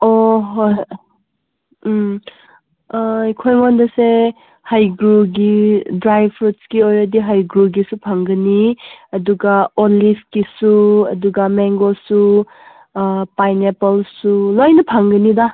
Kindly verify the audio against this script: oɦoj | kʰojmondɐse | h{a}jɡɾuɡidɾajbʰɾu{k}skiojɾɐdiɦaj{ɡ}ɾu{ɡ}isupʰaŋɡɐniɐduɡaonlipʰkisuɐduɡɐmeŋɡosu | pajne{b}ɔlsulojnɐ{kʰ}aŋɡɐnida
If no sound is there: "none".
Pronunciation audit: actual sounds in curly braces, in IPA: a, t, ɡ, ɡ, p, pʰ

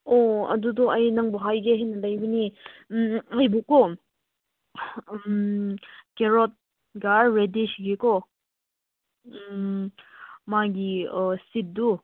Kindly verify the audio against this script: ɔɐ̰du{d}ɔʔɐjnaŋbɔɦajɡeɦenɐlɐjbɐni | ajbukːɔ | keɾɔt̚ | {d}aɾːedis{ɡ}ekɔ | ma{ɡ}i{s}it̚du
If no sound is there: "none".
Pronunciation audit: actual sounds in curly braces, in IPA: d, ɡ, ɡ, ɡ, s

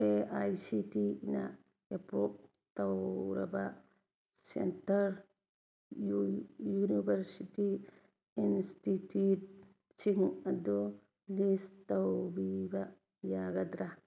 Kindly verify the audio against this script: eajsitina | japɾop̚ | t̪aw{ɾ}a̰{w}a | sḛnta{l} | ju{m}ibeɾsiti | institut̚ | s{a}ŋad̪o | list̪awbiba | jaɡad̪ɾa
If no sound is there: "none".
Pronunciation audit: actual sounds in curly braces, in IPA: ɾ, b, ɾ, n, i

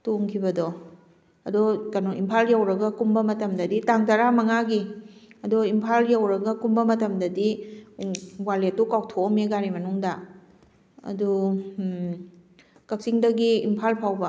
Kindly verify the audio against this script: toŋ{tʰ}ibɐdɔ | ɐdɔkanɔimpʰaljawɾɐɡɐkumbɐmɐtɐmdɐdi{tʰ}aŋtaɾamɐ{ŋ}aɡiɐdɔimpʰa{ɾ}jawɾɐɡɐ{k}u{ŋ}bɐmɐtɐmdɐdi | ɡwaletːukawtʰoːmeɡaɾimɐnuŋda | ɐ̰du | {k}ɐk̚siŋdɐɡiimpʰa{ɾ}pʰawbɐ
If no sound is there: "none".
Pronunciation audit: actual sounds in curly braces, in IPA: kʰ, t, ŋ, l, k, m, k, l

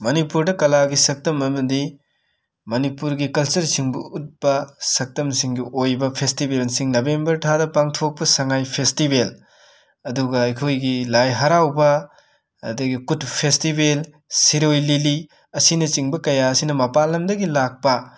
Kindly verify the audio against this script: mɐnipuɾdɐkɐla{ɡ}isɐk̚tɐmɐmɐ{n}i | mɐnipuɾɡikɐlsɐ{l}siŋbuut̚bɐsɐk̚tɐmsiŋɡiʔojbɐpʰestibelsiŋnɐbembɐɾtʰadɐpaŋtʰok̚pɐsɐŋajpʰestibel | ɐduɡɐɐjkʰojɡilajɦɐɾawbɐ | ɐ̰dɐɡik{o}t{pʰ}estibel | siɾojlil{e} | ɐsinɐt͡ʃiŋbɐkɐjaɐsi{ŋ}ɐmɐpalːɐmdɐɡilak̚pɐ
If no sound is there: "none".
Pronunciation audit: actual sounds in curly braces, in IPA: ɡ, d, ɾ, u, pʰ, i, n

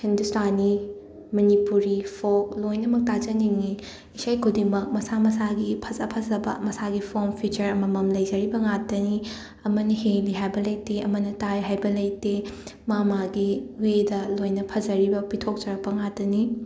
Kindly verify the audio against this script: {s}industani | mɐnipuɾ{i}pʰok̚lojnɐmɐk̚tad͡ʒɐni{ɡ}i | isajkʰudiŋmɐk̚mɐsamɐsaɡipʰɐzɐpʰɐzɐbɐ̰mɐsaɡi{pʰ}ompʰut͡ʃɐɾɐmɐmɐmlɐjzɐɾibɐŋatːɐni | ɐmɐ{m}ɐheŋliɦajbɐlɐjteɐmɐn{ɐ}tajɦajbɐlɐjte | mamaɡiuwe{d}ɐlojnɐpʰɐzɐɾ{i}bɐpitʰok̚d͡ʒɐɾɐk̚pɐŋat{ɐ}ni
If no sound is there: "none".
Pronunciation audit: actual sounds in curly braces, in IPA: h, i, ŋ, pʰ, n, ɐ, d, i, ɐ

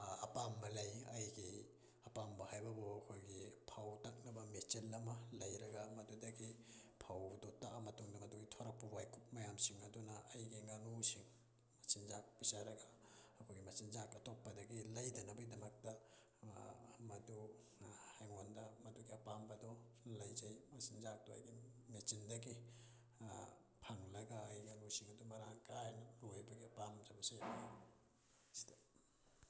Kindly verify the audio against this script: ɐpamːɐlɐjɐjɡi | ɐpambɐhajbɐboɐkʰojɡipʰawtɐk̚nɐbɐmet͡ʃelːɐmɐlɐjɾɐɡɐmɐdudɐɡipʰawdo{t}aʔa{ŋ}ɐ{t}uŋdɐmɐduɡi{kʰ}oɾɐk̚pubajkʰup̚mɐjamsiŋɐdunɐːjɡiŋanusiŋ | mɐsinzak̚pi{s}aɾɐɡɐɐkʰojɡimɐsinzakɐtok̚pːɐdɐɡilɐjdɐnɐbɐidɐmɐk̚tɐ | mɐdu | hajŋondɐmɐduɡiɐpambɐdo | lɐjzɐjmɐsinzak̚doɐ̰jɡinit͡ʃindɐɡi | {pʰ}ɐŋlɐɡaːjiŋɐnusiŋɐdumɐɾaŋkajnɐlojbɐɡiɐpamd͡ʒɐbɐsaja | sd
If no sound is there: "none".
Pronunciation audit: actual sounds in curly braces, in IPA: t, m, t, tʰ, s, pʰ

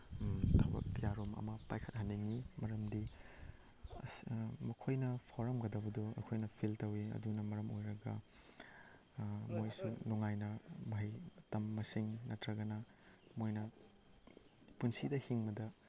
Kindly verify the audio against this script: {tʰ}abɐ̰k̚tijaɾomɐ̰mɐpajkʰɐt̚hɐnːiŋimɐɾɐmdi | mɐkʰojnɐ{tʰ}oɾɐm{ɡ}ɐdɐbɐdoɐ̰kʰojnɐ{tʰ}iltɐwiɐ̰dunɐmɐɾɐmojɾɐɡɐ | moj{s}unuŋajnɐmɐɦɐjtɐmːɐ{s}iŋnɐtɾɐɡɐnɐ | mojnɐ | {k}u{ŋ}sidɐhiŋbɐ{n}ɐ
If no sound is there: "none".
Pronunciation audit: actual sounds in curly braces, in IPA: tʰ, pʰ, ɡ, pʰ, s, s, p, n, d

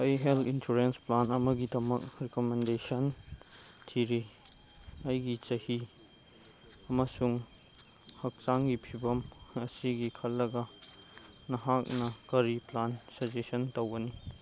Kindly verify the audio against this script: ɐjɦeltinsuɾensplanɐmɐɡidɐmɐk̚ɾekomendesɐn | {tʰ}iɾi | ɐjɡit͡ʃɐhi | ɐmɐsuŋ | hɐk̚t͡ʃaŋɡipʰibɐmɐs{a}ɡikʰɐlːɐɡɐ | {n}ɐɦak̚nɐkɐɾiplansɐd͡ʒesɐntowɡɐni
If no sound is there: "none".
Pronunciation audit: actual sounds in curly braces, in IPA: tʰ, i, n

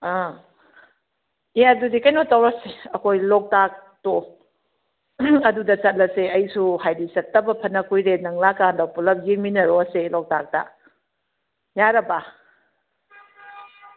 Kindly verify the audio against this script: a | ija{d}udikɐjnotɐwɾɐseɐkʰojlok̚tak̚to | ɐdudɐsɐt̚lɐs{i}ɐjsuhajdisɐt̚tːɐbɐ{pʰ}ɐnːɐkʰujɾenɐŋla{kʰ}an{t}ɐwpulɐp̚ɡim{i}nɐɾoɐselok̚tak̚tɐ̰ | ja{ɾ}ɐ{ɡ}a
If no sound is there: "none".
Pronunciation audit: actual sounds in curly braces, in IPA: d, e, pʰ, k, d, i, ɾ, b

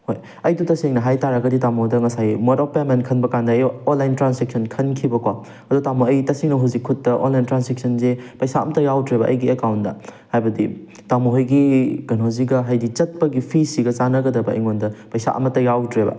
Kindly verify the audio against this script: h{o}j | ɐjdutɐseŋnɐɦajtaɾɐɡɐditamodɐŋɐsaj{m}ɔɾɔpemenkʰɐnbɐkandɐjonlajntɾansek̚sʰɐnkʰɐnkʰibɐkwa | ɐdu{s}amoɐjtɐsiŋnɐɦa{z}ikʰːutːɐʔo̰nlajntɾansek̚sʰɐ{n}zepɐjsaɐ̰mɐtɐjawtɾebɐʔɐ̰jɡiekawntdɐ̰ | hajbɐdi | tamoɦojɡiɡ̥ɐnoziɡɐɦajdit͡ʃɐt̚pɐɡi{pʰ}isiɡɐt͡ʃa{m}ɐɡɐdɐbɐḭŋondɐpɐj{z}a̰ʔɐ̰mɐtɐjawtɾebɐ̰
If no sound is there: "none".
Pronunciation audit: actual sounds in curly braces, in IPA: o, m, t, z, n, pʰ, n, s

